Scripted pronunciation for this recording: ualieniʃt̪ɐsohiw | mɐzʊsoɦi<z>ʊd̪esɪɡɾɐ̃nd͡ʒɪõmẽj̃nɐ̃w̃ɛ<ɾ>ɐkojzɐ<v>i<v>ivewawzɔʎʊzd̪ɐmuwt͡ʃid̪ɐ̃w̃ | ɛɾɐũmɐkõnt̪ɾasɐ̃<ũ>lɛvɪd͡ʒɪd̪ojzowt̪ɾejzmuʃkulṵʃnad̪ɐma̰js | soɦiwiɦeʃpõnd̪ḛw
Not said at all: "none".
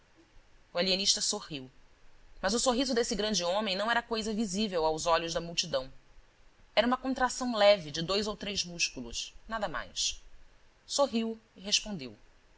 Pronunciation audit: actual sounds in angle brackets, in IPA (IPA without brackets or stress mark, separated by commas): z, ɾ, v, z, w̃